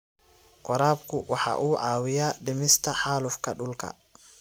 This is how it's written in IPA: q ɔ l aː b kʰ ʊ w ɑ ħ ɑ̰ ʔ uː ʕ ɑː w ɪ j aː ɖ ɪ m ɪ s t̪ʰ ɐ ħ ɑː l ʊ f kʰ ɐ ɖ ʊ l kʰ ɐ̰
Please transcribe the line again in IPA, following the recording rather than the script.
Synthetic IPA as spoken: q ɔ ɾ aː b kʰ ʊ w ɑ ħ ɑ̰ ʔ uː ʕ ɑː w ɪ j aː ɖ ɪ m ɪ s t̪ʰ ɐ ħ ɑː l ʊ f kʰ ɐ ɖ ʊ l kʰ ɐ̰